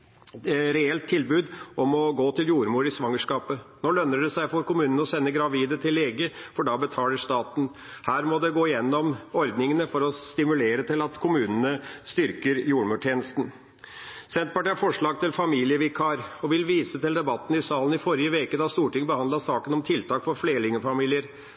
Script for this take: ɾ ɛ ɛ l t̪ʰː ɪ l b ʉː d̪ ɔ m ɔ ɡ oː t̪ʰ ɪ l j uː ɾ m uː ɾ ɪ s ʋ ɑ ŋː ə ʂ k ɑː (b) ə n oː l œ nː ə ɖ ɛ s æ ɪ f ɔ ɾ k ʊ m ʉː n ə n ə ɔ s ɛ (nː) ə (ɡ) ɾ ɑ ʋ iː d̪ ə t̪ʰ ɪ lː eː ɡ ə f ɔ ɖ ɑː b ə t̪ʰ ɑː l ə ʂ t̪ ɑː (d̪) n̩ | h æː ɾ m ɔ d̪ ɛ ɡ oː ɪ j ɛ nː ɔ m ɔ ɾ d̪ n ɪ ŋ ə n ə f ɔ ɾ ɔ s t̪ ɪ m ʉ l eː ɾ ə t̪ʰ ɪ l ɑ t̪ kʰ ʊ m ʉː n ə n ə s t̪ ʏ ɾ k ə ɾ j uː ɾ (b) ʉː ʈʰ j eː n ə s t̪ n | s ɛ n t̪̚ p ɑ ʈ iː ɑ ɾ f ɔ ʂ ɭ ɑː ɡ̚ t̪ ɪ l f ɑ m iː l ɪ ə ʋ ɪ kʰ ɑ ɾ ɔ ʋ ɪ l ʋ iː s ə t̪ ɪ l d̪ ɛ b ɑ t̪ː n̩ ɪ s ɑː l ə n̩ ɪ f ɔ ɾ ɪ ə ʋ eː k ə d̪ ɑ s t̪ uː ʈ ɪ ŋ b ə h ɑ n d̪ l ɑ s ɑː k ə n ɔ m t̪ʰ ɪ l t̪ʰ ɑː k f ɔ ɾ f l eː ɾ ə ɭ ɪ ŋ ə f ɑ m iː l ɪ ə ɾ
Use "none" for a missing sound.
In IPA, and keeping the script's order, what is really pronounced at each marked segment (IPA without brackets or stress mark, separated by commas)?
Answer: p, nː, ɡ, t̪, m